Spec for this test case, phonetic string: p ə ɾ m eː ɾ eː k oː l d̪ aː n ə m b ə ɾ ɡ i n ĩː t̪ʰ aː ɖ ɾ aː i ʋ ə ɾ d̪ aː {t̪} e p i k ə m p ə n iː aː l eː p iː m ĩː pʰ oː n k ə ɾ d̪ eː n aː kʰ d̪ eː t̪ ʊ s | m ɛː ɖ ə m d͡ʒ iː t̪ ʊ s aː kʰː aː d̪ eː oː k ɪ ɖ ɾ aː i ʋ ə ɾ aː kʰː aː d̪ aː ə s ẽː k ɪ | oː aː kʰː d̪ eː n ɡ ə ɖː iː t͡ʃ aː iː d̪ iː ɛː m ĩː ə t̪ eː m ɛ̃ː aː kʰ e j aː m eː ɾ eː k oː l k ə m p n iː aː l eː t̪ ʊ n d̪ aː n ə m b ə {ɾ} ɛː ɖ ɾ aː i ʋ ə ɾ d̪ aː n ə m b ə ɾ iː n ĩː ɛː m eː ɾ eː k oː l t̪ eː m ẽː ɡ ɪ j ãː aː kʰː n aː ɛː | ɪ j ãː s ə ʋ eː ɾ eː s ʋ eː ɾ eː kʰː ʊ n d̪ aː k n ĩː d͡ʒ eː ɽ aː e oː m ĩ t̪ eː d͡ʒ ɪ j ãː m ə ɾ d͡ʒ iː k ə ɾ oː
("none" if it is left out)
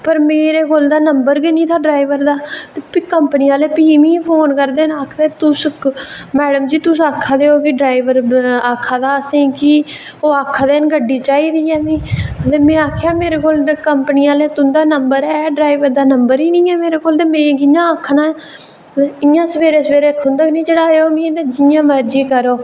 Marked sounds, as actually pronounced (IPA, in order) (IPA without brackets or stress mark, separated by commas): t̪, ɾ